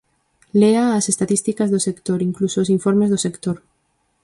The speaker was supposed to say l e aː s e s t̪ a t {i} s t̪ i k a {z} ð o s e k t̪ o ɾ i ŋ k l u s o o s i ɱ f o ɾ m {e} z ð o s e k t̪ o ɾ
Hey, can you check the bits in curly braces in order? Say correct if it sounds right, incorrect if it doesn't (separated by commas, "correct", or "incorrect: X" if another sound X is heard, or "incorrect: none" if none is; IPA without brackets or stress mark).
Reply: correct, correct, correct